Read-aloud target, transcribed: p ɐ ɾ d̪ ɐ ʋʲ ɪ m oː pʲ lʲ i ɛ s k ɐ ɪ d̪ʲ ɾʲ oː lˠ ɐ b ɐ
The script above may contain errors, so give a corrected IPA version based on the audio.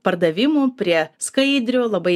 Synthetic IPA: p ɐ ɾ d̪ ɐ ʋʲ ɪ m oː pʲ ɾʲ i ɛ s k ɐ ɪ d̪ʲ ɾʲ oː lˠ ɐ b ɐ